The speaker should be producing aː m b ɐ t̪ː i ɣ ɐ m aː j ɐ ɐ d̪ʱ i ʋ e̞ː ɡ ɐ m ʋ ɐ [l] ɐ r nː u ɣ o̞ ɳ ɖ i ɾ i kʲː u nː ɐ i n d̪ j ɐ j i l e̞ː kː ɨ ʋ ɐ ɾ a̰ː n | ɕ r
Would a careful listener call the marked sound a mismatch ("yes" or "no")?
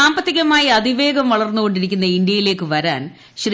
yes